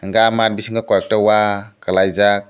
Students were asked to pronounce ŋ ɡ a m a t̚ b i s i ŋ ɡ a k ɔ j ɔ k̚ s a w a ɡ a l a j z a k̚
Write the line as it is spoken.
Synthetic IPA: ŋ ɡ a m a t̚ b i s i ŋ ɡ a k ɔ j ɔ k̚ t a w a k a l a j z a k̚